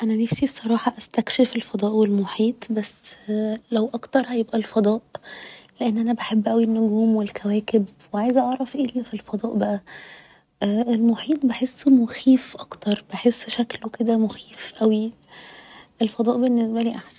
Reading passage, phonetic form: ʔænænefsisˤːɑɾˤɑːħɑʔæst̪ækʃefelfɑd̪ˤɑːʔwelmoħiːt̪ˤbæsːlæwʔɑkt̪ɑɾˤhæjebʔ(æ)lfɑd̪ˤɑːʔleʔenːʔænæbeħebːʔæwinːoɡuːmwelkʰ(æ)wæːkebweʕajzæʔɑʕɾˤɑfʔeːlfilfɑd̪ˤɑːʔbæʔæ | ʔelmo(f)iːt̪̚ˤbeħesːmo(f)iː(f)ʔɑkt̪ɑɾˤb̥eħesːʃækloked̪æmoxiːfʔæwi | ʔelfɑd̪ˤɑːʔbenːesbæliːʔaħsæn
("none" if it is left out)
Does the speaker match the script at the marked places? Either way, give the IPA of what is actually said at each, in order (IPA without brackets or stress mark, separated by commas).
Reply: æ, æ, ħ, x, f